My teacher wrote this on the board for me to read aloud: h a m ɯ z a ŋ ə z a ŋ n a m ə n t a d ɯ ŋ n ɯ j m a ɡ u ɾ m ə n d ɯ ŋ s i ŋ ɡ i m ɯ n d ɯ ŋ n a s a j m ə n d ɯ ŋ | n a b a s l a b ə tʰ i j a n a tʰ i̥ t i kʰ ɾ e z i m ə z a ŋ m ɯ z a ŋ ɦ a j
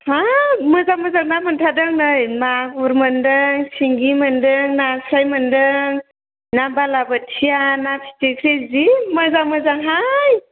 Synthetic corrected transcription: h a m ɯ z a m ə z a ŋ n a m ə n tʰ a d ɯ ŋ n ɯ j m a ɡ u ɾ m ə n d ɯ ŋ s i ŋ ɡ i m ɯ n d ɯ ŋ n a s a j m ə n d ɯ ŋ | n a b a l a b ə tʰ i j a n a pʰ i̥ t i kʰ ɾ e z i m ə z a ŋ m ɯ z a ŋ ɦ a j